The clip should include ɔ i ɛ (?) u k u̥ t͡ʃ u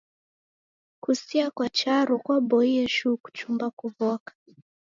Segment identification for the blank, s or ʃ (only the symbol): ʃ